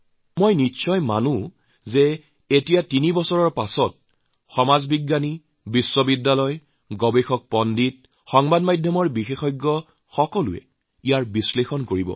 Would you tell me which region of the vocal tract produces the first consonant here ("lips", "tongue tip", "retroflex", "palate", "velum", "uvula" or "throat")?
lips